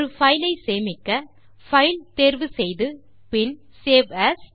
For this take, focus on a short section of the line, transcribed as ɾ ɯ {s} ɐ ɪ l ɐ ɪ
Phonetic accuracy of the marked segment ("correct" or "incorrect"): incorrect